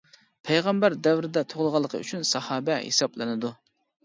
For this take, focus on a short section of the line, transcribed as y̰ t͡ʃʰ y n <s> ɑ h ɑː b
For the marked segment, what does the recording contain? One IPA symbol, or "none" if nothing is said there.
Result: s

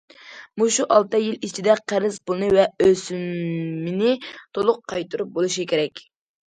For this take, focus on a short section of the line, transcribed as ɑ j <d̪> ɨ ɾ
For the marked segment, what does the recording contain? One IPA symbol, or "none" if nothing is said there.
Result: t̪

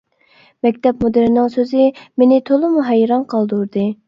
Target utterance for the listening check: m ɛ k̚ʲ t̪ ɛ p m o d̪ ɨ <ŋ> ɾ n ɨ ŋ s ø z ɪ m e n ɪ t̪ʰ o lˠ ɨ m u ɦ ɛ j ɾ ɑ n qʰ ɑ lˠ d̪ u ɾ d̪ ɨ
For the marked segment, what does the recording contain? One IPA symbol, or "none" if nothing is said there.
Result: none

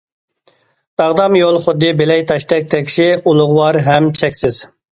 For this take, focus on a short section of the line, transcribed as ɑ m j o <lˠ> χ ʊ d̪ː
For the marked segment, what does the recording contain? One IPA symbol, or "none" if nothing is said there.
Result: lˠ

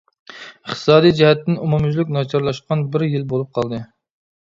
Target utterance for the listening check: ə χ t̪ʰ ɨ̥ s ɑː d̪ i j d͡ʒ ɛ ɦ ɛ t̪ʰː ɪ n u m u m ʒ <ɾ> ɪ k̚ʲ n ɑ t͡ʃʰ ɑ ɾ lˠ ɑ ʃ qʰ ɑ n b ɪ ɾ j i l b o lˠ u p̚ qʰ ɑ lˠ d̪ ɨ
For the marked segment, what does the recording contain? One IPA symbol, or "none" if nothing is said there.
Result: l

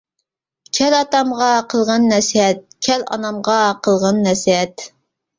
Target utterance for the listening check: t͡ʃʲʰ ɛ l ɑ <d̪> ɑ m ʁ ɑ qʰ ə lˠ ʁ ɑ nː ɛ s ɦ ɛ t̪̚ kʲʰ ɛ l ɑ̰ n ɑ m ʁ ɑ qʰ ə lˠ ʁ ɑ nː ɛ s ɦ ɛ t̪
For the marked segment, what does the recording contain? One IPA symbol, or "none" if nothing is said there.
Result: t̪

